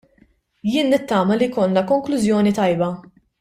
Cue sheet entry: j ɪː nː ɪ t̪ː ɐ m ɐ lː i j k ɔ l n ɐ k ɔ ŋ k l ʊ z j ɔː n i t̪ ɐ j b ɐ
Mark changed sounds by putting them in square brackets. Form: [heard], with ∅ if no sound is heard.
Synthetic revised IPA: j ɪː nː ɪ t̪ː [ɐː] m ɐ [l] i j k ɔ l n ɐ k ɔ ŋ k l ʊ z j ɔː n i t̪ ɐ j b ɐ